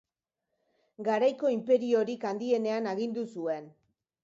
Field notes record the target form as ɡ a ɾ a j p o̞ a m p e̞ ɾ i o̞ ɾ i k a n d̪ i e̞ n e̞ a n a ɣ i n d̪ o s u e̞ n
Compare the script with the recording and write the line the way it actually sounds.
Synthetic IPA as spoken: ɡ a ɾ a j k o̞ i m p e̞ ɾ i o̞ ɾ i k a n d̪ i e̞ n e̞ a n a ɣ i n d̪ u s u e̞ n